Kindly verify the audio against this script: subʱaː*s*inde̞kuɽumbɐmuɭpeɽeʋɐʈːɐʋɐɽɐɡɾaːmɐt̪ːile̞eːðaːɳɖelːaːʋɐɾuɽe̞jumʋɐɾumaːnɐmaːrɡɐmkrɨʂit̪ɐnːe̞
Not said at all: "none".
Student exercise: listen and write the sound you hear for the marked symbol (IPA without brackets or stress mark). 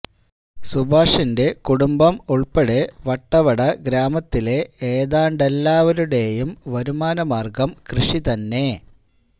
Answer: ʂ